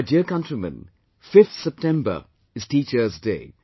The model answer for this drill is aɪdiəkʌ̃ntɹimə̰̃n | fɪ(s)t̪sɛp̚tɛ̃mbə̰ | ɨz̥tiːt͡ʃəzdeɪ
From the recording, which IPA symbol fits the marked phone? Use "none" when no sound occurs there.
f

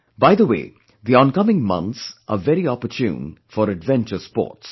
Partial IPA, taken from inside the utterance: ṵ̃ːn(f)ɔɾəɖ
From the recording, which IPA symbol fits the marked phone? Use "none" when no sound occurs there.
f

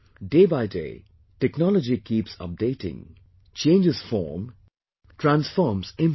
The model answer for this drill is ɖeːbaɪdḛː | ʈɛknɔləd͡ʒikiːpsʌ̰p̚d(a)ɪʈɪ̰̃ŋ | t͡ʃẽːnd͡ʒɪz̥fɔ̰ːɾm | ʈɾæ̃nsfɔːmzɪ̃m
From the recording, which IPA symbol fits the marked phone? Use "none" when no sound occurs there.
e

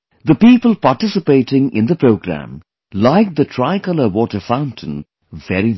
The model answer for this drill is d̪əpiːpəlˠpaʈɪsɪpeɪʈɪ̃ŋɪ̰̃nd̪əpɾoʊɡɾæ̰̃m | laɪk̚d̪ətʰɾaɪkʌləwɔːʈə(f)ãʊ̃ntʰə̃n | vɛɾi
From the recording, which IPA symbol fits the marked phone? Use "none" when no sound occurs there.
f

